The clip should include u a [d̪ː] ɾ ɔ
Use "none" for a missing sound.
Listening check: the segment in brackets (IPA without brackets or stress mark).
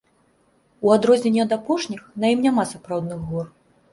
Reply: d̪